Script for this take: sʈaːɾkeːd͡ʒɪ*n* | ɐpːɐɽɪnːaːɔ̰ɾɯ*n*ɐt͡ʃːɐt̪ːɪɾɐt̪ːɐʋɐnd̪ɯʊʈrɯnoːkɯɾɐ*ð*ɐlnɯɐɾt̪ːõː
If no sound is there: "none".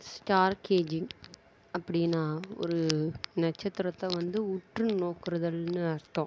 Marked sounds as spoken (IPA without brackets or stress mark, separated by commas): ŋ, n, ð